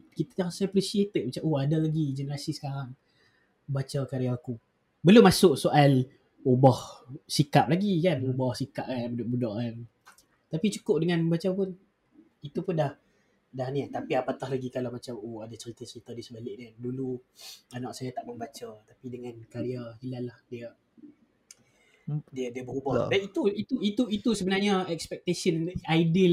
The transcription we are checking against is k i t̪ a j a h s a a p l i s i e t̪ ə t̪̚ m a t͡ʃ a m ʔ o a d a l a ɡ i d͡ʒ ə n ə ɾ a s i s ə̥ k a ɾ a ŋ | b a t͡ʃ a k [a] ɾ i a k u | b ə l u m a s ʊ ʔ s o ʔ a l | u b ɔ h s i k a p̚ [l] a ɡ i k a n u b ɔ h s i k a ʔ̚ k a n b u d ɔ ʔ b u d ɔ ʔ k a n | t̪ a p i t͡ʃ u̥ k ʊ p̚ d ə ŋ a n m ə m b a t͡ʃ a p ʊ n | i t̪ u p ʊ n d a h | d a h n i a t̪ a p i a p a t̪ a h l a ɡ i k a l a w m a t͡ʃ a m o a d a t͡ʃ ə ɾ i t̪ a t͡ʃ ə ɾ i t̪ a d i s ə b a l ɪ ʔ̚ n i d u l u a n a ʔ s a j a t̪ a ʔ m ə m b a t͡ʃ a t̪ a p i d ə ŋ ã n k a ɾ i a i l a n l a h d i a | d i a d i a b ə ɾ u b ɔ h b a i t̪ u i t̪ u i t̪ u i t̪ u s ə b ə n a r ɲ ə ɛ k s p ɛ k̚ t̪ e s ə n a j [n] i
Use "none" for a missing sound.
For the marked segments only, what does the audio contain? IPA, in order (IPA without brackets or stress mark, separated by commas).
a, l, d